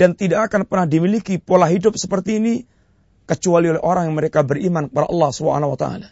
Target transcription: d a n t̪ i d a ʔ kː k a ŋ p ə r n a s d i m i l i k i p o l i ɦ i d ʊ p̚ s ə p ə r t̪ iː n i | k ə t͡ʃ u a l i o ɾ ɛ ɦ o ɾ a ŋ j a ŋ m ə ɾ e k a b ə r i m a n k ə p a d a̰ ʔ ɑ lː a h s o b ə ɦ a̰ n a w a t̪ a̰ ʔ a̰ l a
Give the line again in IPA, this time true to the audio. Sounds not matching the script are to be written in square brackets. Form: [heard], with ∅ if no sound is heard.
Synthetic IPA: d a n t̪ i d a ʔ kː k a [n] p ə r n a [h] d i m i l i k i p o l [a] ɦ i d ʊ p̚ s ə p ə r t̪ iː n i | k ə t͡ʃ u a l i o [l] ɛ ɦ o ɾ a ŋ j a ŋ m ə ɾ e k a b ə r i m a n k ə p a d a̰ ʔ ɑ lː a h s [u] b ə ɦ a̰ n a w a t̪ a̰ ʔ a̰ l a